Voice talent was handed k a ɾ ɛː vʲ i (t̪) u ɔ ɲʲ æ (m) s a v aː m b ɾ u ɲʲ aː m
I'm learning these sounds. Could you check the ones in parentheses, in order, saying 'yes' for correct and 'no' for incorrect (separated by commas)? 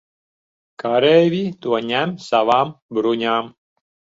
yes, yes